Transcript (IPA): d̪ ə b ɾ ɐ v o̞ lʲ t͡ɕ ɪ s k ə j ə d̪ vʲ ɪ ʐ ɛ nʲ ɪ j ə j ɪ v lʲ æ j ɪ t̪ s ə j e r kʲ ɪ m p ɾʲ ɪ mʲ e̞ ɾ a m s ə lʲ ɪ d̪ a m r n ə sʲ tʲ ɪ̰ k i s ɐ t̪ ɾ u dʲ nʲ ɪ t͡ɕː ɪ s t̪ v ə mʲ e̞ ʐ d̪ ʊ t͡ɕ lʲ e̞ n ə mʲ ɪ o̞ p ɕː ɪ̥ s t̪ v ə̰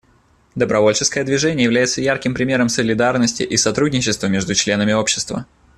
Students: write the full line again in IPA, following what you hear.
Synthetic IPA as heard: d̪ ə b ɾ ɐ v o̞ lʲ t͡ɕ ɪ s k ə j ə d̪ vʲ ɪ ʐ ɛ nʲ ɪ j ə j ɪ v lʲ æ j ɪ t̪ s ə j a r kʲ ɪ m p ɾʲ ɪ mʲ e̞ ɾ ə m s ə lʲ ɪ d̪ a r n ə sʲ tʲ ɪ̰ ʔ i s ɐ t̪ ɾ u dʲ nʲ ɪ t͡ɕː ɪ s t̪ v ə mʲ e̞ ʐ d̪ ʊ t͡ɕ lʲ e̞ n ə mʲ ɪ o̞ p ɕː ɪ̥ s t̪ v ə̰

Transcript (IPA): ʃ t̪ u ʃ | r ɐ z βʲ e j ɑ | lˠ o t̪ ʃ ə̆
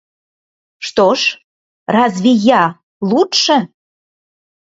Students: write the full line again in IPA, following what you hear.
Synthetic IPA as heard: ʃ t̪ o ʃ | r ɑ z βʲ i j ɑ | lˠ u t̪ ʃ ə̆

